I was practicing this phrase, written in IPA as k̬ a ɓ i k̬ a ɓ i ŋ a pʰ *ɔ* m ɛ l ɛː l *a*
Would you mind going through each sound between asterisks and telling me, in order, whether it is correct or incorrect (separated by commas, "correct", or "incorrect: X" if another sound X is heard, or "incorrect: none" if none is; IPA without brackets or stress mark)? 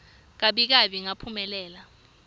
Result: incorrect: u, correct